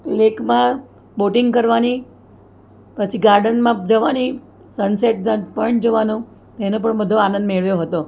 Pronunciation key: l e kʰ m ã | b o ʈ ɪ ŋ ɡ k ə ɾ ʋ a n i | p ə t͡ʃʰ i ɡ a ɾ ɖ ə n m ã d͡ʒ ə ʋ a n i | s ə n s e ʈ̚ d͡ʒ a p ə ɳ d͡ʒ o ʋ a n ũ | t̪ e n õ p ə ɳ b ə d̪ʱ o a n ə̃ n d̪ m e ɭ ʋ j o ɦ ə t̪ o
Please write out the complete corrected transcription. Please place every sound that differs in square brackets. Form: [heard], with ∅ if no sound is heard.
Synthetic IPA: l e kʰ m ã | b o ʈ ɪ ŋ ɡ k ə ɾ ʋ a n i | p ə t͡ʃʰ i ɡ a ɾ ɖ ə n m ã d͡ʒ ə ʋ a n i | s ə n s e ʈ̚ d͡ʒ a p ə ɳ d͡ʒ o ʋ a n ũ | t̪ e n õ p ə ɳ b ə d̪ʱ o a n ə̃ n d̪ m e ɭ ʋ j o ɦ ə t̪ o